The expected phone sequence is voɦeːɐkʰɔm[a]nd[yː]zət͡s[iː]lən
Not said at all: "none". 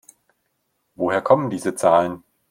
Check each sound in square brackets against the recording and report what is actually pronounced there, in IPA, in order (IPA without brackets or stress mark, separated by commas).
ə, iː, aː